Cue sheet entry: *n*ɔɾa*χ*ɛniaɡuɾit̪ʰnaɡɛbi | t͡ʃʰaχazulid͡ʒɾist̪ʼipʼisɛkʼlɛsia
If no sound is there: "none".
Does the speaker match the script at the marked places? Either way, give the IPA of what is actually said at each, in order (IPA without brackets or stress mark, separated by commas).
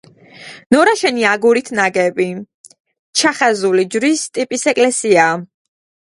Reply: n, ʃ